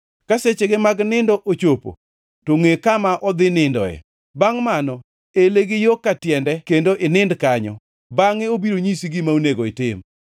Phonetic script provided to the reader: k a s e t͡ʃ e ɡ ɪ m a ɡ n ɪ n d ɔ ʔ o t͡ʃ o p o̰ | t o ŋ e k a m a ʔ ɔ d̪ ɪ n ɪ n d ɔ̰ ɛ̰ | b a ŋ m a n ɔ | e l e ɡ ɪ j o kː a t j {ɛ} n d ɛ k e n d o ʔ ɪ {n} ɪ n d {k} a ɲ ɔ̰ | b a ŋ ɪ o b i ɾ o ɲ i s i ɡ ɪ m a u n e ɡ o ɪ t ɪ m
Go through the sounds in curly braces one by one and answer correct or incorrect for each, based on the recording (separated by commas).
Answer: correct, correct, correct